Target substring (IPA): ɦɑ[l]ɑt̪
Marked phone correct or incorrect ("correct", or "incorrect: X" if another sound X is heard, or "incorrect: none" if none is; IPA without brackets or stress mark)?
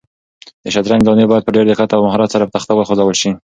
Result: incorrect: ɾ